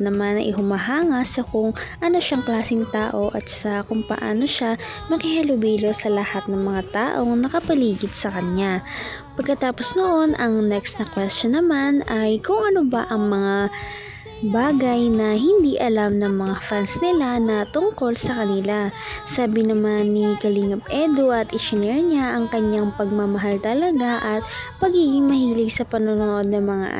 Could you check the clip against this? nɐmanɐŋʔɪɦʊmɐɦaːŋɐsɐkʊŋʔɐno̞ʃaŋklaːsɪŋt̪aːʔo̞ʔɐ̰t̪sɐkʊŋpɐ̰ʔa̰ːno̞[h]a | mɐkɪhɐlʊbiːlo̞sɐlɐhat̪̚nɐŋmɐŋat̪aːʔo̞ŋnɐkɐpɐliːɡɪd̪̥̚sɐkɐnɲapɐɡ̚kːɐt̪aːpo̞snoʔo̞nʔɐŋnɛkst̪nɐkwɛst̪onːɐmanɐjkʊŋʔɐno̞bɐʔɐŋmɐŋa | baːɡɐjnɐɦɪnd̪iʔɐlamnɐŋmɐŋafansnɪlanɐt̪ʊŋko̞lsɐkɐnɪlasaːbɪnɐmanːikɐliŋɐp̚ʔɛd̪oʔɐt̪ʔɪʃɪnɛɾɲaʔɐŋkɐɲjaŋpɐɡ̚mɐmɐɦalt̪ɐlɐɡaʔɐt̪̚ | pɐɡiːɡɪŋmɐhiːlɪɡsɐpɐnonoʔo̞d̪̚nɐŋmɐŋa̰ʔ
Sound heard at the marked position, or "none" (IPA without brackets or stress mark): ʃ